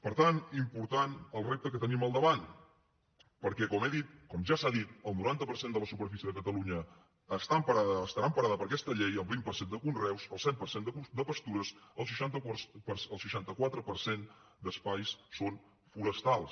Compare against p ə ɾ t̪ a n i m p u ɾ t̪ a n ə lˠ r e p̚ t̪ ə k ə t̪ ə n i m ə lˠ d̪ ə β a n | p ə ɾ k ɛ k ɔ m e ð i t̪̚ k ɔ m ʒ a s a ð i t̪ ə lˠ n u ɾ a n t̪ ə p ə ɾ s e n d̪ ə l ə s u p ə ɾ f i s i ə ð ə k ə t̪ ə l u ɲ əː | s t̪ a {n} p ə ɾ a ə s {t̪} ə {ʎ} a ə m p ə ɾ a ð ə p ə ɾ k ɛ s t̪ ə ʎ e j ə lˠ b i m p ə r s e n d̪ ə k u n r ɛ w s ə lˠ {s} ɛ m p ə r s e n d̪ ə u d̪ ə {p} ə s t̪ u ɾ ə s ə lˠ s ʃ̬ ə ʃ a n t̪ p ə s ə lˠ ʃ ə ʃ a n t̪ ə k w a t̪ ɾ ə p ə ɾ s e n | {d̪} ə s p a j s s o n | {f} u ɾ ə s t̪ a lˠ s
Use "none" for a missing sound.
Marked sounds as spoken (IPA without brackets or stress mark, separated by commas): m, t̪, ɾ, s, p, d̪, f